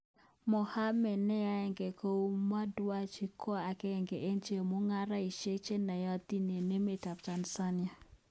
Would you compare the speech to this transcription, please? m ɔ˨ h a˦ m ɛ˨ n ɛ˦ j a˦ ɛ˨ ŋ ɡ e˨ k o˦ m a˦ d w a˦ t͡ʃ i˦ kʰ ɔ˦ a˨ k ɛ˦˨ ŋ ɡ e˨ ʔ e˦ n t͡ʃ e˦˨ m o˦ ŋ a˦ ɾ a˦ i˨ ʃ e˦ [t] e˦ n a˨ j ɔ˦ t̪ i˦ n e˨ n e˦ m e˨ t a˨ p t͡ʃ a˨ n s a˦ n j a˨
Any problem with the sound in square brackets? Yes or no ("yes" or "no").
yes